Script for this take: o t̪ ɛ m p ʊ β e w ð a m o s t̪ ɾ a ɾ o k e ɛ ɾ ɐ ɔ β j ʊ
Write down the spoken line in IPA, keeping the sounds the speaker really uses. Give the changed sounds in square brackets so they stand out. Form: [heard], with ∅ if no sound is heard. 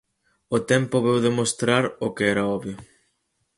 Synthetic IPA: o t̪ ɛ m p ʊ β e w ð [e] m o s t̪ ɾ a ɾ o k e ɛ ɾ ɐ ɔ β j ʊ